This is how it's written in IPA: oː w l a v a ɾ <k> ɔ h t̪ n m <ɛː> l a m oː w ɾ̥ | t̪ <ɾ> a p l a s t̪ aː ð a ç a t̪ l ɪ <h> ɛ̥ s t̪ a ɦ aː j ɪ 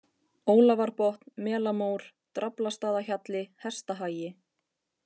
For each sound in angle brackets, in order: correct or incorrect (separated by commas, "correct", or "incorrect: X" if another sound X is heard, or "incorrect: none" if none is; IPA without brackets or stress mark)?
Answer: incorrect: p, correct, correct, correct